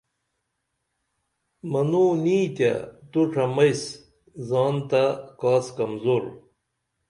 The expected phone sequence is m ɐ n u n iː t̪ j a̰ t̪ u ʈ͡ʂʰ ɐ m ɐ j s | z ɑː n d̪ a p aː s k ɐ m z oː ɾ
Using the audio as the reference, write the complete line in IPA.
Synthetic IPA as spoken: m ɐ n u n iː t̪ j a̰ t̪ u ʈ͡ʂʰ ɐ m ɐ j s | z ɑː n t̪ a k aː s k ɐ m z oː ɾ